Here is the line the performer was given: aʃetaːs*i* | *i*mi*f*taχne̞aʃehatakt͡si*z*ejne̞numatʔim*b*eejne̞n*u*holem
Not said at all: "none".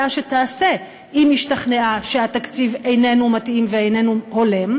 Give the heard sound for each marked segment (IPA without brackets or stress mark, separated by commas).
e, i, ʃ, v, v, u